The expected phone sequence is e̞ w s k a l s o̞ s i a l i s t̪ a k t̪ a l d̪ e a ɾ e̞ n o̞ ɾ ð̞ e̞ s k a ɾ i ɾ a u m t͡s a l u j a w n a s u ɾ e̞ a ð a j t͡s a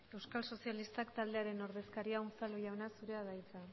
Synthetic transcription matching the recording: e̞ w s k a l s o̞ s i a l i s t̪ a k t̪ a l d̪ e a ɾ e̞ n o̞ ɾ ð̞ e̞ s k a ɾ i a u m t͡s a l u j a w n a s u ɾ e̞ a ð a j t͡s a